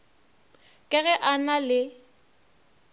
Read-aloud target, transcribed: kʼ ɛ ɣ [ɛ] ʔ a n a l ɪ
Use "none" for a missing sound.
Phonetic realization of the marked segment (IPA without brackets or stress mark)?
ɛ